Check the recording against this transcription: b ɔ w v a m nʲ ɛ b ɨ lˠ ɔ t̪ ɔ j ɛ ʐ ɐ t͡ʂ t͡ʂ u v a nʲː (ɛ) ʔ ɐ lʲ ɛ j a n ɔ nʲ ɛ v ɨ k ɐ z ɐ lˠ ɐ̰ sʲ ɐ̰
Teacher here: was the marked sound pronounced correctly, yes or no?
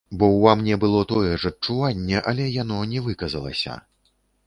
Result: yes